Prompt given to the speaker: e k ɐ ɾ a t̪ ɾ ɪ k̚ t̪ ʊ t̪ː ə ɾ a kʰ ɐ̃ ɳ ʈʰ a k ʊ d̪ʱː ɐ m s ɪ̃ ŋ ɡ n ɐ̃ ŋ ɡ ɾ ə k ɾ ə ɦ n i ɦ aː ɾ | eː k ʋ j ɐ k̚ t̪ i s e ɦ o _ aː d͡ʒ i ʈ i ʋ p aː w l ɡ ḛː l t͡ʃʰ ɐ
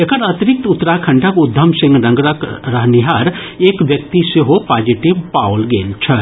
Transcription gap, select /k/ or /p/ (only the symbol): p